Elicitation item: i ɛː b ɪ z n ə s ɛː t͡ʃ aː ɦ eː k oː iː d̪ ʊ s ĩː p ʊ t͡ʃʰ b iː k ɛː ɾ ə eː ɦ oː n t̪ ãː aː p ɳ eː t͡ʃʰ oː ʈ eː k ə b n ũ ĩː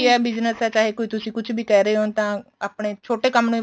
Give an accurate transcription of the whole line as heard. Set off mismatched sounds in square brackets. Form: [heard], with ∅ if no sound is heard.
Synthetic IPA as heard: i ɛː b ɪ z n ə s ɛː t͡ʃ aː ɦ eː k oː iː [t̪] ʊ s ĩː [k] ʊ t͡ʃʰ b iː k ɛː ɾ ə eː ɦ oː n t̪ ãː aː p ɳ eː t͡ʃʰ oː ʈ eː k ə [m] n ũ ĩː